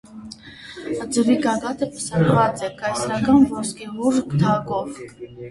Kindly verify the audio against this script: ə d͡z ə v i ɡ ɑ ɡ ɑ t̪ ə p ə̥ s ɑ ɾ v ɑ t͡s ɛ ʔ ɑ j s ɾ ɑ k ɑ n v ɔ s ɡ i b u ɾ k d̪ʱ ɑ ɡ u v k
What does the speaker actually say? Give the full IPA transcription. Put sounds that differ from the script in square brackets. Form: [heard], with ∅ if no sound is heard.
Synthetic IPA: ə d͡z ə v i ɡ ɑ ɡ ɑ t̪ ə p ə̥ s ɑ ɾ v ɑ t͡s ɛ [k] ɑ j s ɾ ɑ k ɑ n v ɔ s [k] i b u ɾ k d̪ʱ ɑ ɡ [ɔ] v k

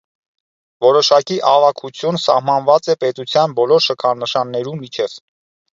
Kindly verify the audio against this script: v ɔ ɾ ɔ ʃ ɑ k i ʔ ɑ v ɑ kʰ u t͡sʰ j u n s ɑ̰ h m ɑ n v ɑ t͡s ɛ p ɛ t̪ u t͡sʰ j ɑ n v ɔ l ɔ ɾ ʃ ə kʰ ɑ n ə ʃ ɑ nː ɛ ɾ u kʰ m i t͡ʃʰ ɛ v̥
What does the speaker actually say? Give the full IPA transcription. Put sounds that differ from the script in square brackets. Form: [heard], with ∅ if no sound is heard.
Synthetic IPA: v ɔ ɾ ɔ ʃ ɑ k i ʔ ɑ v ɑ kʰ u t͡sʰ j u n s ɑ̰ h m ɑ n v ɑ t͡s ɛ p ɛ t̪ u t͡sʰ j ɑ n [b] ɔ l ɔ ɾ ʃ ə kʰ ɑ n ə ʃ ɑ nː ɛ ɾ u [∅] m i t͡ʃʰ ɛ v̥

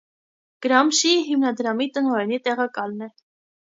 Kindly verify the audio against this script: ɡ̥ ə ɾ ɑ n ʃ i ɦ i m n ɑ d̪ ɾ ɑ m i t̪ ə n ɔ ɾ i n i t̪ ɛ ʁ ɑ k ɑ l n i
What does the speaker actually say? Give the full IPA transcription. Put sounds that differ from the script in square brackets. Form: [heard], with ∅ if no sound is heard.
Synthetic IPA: ɡ̥ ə ɾ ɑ [m] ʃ i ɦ i m n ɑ d̪ ɾ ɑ m i t̪ ə n ɔ ɾ [ɛ] n i t̪ ɛ ʁ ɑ k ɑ l n [ɛ]

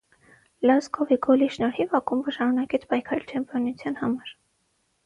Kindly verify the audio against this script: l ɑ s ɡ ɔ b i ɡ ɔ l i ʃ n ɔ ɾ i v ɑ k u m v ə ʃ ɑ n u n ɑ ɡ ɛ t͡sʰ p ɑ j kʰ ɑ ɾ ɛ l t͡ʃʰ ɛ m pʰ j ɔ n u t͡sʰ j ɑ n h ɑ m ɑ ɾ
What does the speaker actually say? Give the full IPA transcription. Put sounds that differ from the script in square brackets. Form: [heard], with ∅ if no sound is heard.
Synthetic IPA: l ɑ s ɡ ɔ [v] i ɡ ɔ l i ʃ n ɔ ɾ i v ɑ k u m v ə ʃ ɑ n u n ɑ [k] ɛ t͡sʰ p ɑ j kʰ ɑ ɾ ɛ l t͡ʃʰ ɛ m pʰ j ɔ n u t͡sʰ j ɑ n h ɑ m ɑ ɾ

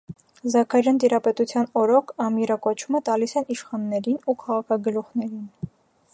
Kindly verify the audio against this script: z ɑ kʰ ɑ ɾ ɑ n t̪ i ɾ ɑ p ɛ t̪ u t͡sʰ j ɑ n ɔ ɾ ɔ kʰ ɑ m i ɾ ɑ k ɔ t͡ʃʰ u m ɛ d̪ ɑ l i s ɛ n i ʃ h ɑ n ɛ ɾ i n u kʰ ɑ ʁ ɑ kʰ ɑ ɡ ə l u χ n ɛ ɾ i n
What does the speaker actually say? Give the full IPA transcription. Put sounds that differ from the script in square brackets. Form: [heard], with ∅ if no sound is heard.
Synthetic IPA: z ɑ kʰ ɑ ɾ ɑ n t̪ i ɾ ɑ p ɛ t̪ u t͡sʰ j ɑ n ɔ ɾ ɔ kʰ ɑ m i ɾ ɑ k ɔ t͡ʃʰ u m ɛ [t̪] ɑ l i s ɛ n i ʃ [χ] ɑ [nː] ɛ ɾ i n u kʰ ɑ ʁ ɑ kʰ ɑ ɡ ə l u χ n ɛ ɾ i n

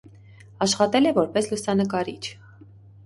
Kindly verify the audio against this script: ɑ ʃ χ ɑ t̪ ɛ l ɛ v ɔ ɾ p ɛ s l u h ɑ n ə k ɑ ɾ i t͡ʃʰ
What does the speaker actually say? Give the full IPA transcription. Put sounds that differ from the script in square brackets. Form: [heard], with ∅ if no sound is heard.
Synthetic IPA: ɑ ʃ χ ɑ t̪ ɛ l ɛ v ɔ ɾ p ɛ s l u [s] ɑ n ə k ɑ ɾ i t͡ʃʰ

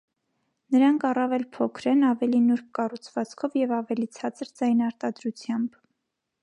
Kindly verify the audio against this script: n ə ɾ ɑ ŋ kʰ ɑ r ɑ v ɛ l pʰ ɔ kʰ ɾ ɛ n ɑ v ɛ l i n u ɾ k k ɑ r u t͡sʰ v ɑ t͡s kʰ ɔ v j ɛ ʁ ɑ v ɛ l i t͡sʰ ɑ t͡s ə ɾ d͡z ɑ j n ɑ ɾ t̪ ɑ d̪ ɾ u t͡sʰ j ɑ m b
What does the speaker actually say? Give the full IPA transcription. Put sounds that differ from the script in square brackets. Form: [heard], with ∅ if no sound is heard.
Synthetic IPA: n ə ɾ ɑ ŋ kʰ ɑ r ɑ v ɛ l pʰ ɔ kʰ ɾ ɛ n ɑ v ɛ l i n u ɾ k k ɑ r u t͡sʰ v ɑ t͡s kʰ ɔ v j ɛ [v] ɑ v ɛ l i t͡sʰ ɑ t͡s ə ɾ d͡z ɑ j n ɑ ɾ t̪ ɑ d̪ ɾ u t͡sʰ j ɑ m b

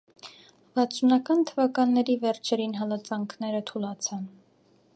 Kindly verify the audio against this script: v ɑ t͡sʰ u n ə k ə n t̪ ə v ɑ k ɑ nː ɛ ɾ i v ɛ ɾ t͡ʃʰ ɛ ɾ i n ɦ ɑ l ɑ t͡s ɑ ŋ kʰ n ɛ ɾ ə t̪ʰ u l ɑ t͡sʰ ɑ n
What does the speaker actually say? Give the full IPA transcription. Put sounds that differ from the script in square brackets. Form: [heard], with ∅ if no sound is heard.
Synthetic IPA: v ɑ t͡sʰ u n [ɑ] k [ɑ] n [t̪ʰ] ə v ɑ k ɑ nː ɛ ɾ i v ɛ ɾ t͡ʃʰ ɛ ɾ i n ɦ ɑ l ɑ t͡s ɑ ŋ kʰ n ɛ ɾ ə t̪ʰ u l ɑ t͡sʰ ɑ n

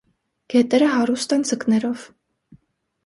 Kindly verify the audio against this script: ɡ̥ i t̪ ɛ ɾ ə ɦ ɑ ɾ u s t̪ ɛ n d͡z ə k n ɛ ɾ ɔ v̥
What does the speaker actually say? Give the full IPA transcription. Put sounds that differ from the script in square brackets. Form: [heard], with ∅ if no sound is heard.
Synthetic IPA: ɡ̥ [ɛ] t̪ ɛ ɾ ə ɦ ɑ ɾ u s t̪ ɛ n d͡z ə k n ɛ ɾ ɔ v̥

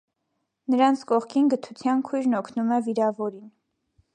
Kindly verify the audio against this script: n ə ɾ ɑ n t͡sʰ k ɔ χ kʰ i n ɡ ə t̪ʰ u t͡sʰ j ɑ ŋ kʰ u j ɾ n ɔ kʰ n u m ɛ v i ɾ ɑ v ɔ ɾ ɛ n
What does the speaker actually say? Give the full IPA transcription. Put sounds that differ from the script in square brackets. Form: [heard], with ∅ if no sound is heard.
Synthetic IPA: n ə ɾ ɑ n t͡sʰ k ɔ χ kʰ i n ɡ ə t̪ʰ u t͡sʰ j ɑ [n] kʰ u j ɾ n ɔ kʰ n u m ɛ v i ɾ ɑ v ɔ ɾ [i] n

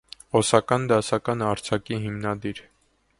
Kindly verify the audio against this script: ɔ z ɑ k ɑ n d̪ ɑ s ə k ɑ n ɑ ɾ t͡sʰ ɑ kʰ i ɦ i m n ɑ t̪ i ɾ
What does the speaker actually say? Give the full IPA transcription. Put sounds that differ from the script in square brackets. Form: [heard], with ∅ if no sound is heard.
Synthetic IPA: ɔ [s] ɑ k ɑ n d̪ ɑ s [ɑ] k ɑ n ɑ ɾ t͡sʰ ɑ [k] i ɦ i m n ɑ [d̪] i ɾ

